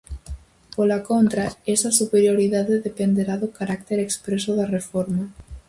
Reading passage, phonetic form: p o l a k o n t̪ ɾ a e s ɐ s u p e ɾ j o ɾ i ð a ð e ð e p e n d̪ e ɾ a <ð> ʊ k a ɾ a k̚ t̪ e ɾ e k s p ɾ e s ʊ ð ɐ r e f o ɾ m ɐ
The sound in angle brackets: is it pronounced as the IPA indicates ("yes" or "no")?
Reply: yes